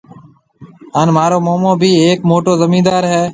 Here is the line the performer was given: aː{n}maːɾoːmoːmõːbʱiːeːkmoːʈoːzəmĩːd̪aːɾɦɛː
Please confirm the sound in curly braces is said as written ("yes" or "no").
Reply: yes